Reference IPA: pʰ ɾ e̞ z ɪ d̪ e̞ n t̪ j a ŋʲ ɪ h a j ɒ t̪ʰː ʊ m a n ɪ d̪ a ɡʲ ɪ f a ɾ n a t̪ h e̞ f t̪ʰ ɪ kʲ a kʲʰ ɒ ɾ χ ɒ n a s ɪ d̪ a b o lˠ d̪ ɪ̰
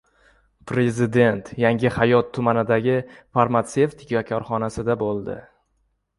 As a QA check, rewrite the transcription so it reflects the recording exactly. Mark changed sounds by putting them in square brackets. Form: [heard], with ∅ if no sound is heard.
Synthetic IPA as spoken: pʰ ɾ e̞ z ɪ d̪ e̞ n t̪ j a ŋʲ ɪ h a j ɒ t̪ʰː ʊ m a n ɪ d̪ a ɡʲ ɪ f a ɾ [m] a t̪ [s] e̞ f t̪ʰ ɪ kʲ a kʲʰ ɒ ɾ χ ɒ n a s ɪ d̪ a b o lˠ d̪ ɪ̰